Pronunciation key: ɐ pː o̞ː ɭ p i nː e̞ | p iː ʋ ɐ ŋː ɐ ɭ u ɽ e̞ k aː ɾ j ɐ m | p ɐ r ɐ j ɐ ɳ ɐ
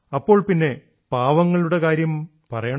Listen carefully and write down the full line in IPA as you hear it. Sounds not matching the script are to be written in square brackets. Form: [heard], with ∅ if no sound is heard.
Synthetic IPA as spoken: ɐ pː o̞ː ɭ p i nː e̞ | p [aː] ʋ ɐ ŋː ɐ ɭ u ɽ e̞ k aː ɾ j ɐ m | p ɐ r ɐ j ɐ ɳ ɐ